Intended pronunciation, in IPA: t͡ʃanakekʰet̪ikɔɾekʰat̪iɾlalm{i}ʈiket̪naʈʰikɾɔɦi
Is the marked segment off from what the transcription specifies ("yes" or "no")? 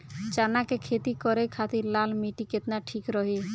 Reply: no